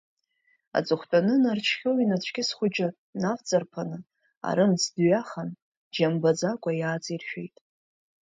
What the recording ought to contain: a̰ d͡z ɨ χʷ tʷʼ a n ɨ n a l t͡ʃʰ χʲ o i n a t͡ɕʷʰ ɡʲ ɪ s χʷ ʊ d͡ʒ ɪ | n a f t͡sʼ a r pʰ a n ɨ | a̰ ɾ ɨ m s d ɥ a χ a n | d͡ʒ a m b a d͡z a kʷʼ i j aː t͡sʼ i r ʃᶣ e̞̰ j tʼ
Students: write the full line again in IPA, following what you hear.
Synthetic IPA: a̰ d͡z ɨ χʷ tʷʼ a n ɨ n a r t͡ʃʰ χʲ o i n a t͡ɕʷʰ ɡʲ ɪ s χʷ ʊ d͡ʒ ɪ | n a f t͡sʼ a r pʰ a n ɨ | a̰ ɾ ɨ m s d ɥ a χ a n | d͡ʒ a m b a d͡z a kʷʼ a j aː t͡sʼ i r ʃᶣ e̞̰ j tʼ